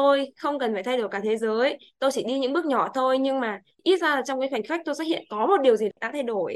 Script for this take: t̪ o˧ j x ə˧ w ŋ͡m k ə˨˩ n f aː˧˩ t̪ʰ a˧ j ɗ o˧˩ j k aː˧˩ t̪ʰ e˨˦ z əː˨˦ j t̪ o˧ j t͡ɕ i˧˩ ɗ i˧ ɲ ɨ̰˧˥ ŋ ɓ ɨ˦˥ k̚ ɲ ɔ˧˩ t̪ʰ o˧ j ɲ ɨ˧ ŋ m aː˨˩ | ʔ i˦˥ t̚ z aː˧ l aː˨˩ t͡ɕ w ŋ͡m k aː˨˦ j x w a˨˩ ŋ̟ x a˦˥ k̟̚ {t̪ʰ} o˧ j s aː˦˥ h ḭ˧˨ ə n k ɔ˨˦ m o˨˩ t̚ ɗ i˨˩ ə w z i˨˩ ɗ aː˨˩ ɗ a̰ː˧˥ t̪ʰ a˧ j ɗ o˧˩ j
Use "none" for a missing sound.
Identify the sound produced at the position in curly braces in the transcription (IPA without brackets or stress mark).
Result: t̪